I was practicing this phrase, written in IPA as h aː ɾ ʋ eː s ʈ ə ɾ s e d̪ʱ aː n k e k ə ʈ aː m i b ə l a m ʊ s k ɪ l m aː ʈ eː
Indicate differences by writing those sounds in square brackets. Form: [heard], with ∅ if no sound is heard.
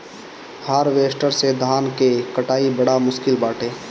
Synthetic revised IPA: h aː ɾ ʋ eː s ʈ ə ɾ s e d̪ʱ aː n k e k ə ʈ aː [∅] i b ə [ɽ] a m ʊ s k ɪ l [b] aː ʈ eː